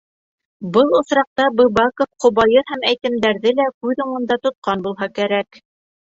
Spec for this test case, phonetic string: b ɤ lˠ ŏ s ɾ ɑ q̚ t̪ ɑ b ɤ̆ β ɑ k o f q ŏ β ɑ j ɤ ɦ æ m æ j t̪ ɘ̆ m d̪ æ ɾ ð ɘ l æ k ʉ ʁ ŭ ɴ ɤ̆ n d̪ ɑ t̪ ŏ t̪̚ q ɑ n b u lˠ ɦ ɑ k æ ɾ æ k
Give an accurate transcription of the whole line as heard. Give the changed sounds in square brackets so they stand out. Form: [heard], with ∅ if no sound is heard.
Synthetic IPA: b ɤ lˠ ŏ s ɾ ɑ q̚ t̪ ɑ b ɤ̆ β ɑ k o f q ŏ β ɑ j ɤ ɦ æ m æ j t̪ ɘ̆ m d̪ æ ɾ ð ɘ l æ k ʉ [ð] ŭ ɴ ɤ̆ n d̪ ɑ t̪ ŏ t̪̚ q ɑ n b u lˠ ɦ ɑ k æ ɾ æ k